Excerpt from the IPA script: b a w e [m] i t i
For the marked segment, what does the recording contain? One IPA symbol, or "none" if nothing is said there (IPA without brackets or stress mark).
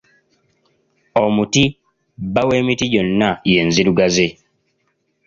m